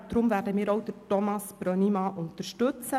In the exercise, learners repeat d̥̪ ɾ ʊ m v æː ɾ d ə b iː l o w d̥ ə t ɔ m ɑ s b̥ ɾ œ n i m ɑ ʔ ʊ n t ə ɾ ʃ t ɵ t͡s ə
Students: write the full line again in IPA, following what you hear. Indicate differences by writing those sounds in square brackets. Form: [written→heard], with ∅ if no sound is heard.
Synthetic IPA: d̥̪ ɾ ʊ m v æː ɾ d ə [b→m] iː [l→ɾ] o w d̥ ə t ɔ m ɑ s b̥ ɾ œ n i m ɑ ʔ ʊ n t ə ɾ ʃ t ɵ t͡s ə

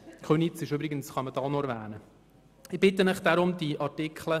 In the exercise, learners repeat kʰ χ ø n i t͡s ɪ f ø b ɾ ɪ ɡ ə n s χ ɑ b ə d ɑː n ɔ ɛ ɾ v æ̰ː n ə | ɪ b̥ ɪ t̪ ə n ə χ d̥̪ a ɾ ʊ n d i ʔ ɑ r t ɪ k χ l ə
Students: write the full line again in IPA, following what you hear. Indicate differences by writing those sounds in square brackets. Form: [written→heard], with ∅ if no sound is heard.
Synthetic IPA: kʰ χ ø n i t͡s ɪ [f→ʃ] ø b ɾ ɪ ɡ ə n s χ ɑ [b→m] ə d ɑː n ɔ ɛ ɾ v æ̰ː n ə | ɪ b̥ ɪ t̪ ə n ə χ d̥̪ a ɾ ʊ [n→m] d i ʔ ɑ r t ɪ k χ l ə

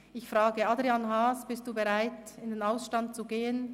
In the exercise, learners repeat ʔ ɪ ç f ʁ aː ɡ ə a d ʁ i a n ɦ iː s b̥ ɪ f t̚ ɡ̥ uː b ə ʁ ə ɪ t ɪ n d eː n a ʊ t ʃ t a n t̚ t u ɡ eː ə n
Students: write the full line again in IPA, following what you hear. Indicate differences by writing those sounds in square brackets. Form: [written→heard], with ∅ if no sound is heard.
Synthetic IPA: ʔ ɪ ç f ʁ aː ɡ ə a d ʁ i a n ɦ [iː→aː] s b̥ ɪ [f→s] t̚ [ɡ̥→d̥] uː b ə ʁ [ə→a] ɪ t ɪ n d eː n a ʊ [t→s] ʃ t a n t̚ [t→t͡s] u ɡ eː ə n

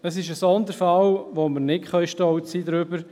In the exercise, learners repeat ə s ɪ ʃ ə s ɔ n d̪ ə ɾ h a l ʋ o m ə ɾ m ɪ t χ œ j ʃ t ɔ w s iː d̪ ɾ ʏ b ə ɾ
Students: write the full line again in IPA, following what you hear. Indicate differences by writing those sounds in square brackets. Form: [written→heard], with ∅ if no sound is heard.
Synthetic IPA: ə s ɪ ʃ ə s ɔ n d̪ ə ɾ [h→f] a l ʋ o m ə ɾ [m→n] ɪ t χ œ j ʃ t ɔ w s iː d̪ ɾ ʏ b ə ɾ

